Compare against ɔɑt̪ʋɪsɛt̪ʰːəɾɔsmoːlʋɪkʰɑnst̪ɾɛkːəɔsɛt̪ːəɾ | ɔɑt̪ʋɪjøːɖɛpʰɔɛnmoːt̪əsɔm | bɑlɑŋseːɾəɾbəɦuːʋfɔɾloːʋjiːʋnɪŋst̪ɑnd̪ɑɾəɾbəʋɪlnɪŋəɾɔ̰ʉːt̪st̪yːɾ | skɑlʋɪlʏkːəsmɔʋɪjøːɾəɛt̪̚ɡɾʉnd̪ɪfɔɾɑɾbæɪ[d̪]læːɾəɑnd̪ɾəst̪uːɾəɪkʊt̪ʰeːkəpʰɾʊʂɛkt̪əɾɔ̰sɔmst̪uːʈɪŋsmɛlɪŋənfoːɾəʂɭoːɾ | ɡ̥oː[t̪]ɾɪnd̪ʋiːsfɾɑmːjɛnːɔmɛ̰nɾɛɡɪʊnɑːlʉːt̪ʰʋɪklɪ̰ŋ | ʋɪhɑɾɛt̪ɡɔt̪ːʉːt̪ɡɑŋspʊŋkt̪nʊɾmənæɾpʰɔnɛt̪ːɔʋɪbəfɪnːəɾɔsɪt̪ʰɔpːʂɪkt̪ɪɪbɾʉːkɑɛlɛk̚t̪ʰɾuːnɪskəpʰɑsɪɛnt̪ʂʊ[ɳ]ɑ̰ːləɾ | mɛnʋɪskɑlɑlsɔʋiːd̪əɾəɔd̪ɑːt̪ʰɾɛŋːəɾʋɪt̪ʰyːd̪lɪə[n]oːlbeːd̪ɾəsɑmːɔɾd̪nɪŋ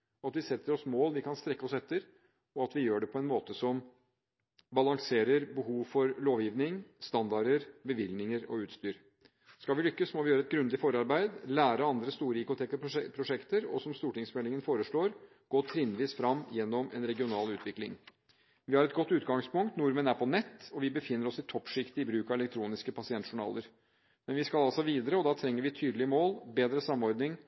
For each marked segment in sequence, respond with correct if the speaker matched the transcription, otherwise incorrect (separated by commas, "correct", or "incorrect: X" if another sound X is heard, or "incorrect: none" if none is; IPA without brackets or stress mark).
correct, incorrect: t̪ʰ, correct, incorrect: m